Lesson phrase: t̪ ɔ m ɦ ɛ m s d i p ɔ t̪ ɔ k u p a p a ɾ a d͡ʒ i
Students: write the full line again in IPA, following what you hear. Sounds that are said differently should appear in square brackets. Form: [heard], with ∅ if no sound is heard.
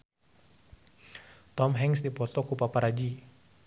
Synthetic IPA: t̪ ɔ m ɦ ɛ [ŋ] s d i p ɔ t̪ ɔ k u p a p a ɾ a d͡ʒ i